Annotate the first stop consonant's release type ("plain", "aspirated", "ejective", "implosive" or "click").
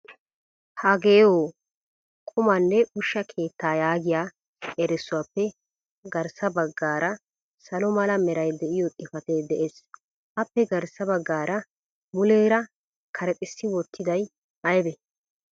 plain